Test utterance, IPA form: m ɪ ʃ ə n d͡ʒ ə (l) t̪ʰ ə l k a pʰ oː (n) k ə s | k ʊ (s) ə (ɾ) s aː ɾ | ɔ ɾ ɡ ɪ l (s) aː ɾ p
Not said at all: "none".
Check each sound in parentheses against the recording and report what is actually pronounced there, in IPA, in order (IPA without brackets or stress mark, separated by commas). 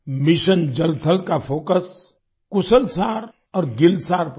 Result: l, none, s, l, s